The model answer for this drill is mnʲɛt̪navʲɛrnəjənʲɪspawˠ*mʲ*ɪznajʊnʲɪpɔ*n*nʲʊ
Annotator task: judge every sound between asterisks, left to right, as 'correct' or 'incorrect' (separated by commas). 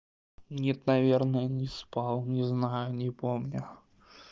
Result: incorrect, incorrect